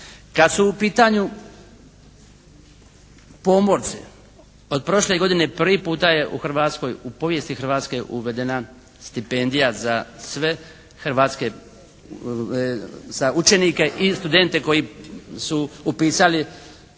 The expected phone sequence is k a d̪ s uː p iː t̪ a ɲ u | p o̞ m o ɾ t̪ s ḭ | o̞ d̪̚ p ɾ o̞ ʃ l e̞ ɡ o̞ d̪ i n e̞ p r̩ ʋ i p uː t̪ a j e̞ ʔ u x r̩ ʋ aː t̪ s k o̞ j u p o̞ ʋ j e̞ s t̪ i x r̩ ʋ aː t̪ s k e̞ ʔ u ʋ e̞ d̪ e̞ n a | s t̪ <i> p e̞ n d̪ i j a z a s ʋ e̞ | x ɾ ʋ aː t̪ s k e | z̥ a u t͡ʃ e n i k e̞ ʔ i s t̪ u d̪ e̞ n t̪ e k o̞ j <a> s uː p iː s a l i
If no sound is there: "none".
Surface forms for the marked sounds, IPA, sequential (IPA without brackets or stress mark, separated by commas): i, i